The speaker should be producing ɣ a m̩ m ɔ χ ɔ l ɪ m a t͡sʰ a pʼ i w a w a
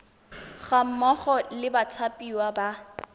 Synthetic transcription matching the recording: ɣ a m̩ m ɔ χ ɔ l ɪ b a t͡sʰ a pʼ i w a b a